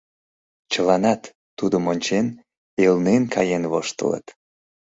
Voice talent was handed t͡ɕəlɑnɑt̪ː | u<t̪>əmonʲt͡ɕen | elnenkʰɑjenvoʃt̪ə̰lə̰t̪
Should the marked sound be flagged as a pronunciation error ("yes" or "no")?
yes